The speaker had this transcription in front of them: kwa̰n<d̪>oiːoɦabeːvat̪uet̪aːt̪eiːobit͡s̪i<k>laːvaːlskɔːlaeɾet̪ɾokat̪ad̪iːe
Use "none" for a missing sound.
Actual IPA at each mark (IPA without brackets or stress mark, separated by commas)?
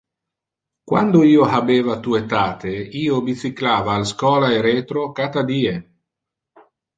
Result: d̪, k